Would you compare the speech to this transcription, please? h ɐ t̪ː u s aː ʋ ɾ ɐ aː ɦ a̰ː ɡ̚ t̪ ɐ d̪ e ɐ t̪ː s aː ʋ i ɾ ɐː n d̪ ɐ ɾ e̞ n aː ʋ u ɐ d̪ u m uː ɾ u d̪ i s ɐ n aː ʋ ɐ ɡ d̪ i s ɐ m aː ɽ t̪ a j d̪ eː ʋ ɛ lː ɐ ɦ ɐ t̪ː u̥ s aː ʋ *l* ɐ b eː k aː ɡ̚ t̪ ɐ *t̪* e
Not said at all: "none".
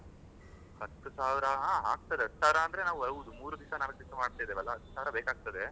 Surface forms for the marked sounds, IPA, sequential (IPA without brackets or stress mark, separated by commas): ɾ, d̪